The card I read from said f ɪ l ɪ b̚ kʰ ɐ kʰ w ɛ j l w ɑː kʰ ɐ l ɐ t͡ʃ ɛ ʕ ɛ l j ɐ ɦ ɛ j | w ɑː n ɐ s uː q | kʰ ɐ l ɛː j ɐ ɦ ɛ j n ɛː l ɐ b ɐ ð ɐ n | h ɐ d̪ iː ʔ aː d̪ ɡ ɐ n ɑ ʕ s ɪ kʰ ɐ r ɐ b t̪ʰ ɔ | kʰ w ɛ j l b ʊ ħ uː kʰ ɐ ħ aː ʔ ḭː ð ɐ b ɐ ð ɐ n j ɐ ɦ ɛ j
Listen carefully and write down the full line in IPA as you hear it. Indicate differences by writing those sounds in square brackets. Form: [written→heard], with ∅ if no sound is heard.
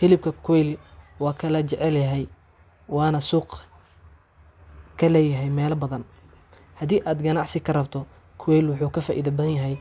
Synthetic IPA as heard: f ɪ l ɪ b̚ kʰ ɐ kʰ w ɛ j l w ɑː kʰ ɐ l ɐ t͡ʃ ɛ ʕ ɛ l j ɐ ɦ ɛ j | w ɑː n ɐ s uː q | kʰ ɐ l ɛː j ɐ ɦ ɛ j [n→m] ɛː l ɐ b ɐ ð ɐ n | h ɐ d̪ iː ʔ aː d̪ ɡ ɐ n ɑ ʕ s ɪ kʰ ɐ r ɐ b t̪ʰ ɔ | kʰ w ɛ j l [b→w] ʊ ħ uː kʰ ɐ [ħ→f] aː ʔ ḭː ð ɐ b ɐ ð ɐ n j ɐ ɦ ɛ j

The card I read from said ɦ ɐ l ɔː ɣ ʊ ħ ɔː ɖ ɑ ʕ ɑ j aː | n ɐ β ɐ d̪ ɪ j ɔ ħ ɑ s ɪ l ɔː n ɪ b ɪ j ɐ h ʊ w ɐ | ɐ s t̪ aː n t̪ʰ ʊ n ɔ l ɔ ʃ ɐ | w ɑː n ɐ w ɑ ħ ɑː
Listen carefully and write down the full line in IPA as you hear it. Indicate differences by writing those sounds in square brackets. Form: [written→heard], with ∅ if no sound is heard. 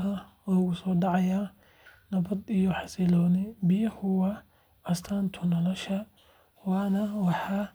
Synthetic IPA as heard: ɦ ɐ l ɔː ɣ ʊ [ħ→s] ɔː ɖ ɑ ʕ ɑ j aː | n ɐ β ɐ d̪ [ɪ→i] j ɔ ħ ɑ s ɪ l ɔː n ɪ b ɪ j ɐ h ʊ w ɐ | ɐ s [t̪→t̪ʰ] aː n t̪ʰ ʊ n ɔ l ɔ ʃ ɐ | w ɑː n ɐ w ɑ ħ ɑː

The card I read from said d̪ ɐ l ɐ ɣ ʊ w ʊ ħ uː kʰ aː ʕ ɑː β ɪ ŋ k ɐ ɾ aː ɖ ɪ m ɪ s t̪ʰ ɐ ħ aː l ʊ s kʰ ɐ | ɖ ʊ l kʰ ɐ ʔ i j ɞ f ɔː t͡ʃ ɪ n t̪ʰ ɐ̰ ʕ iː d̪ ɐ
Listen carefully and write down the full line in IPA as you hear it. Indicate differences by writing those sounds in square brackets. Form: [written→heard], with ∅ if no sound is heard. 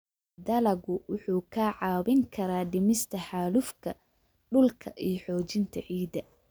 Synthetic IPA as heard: d̪ ɐ l ɐ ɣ ʊ w ʊ ħ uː kʰ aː ʕ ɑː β ɪ ŋ [k→kʰ] ɐ ɾ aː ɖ ɪ m ɪ s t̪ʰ ɐ ħ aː l ʊ [s→f] kʰ ɐ | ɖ ʊ l kʰ ɐ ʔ i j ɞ [f→ħ] ɔː t͡ʃ ɪ n t̪ʰ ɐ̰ ʕ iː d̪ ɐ

